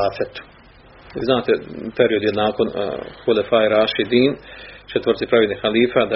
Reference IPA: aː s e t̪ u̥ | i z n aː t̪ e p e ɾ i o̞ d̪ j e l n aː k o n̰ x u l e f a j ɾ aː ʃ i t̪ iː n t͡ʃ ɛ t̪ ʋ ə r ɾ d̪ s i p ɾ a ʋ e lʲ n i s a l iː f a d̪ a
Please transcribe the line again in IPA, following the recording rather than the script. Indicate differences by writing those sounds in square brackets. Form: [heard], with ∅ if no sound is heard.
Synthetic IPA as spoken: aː [f] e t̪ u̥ | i z n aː t̪ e p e ɾ i o̞ d̪ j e l n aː k o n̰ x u l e f a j ɾ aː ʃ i [d̪] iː n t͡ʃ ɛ t̪ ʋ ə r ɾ [t̪] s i p ɾ a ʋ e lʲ n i [x] a l iː f a d̪ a